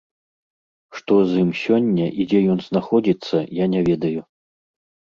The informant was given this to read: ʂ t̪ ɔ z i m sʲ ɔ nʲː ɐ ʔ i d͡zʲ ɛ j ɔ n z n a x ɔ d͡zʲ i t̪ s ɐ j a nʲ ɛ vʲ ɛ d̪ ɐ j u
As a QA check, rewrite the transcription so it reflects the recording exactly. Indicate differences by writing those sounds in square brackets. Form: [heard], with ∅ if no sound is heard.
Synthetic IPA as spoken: ʂ t̪ ɔ z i m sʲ ɔ nʲː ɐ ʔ i d͡zʲ ɛ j ɔ n z n a x ɔ d͡zʲ i t̪ [sː] ɐ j a nʲ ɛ vʲ ɛ d̪ ɐ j u